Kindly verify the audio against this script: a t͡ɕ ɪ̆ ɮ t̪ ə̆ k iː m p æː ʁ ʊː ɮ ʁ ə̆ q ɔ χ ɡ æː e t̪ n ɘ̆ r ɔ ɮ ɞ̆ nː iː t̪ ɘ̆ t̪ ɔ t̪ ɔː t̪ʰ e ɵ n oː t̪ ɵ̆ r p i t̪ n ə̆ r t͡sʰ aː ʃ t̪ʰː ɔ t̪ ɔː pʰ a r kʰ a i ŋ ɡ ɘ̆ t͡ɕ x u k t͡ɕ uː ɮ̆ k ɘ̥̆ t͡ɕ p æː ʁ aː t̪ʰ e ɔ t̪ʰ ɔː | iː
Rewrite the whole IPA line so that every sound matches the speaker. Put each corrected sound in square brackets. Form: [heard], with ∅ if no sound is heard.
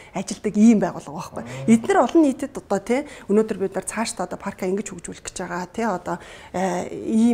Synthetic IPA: a t͡ɕ ɪ̆ ɮ t̪ ə̆ k iː m p æː ʁ ʊː ɮ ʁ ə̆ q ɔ χ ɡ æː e t̪ n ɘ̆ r ɔ ɮ ɞ̆ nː iː t̪ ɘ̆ t̪ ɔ t̪ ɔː t̪ʰ e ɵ n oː t̪ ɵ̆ r p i t̪ n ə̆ r t͡sʰ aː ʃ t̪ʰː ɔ t̪ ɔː pʰ a r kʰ a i ŋ ɡ ɘ̆ t͡ɕ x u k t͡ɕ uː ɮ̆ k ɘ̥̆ t͡ɕ p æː ʁ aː t̪ʰ e ɔ [t̪] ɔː | iː